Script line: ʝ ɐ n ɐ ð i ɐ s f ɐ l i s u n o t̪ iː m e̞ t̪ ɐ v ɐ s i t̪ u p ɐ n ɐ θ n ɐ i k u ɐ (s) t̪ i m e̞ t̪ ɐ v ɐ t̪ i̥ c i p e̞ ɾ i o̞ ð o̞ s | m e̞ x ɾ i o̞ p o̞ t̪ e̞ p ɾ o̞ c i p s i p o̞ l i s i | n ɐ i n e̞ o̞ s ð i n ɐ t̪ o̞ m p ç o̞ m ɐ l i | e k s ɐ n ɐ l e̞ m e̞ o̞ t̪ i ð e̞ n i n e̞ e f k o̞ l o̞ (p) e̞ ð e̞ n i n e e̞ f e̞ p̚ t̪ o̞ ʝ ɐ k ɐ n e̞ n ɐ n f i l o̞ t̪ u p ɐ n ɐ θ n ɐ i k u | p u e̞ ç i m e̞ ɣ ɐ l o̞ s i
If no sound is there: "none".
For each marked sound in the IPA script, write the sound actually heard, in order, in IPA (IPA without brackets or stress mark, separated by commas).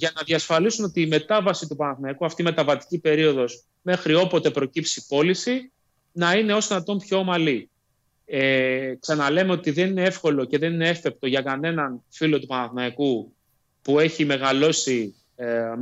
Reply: f, c